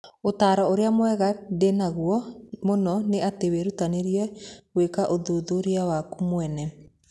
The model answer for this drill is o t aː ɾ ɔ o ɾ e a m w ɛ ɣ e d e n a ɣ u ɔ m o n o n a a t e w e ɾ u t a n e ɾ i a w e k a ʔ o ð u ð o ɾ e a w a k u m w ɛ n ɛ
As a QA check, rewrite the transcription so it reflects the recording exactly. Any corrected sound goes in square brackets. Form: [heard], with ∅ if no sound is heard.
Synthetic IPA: o t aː ɾ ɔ o ɾ e a m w ɛ ɣ [a] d e n a ɣ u ɔ m o n [ɔ] n [e] a t e w e ɾ u t a n e ɾ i [ɛ] w e k a ʔ o ð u ð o ɾ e a w a k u m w ɛ n ɛ